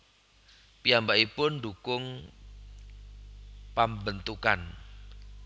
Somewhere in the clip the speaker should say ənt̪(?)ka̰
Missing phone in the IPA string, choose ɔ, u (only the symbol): u